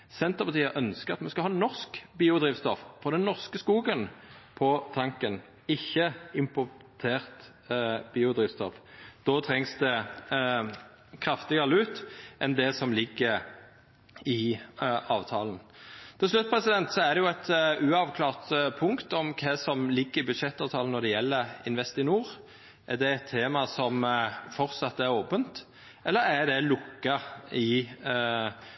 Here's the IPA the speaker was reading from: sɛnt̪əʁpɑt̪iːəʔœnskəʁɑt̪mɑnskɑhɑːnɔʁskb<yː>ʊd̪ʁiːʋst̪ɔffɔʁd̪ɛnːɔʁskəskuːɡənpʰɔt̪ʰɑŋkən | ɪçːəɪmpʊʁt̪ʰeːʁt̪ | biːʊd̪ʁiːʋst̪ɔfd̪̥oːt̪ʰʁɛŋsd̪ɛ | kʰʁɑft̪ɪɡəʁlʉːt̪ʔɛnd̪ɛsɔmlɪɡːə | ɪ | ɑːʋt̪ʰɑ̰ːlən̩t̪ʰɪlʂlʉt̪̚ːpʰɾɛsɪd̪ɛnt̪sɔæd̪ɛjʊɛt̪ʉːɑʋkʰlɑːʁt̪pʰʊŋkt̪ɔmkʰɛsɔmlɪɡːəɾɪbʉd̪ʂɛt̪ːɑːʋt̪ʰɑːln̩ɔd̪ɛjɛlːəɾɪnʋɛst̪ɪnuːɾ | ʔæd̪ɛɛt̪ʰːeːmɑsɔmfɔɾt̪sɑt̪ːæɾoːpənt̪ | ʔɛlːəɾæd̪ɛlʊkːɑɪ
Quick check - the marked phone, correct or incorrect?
incorrect